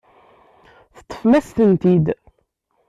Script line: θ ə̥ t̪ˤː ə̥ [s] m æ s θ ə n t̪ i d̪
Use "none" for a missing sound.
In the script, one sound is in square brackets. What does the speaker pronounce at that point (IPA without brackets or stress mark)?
f